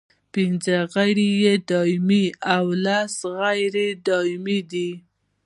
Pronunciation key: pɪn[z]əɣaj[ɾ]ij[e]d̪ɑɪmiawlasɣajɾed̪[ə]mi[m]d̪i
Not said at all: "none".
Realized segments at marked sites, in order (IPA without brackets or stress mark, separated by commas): z, ɾ, e, ɑ, none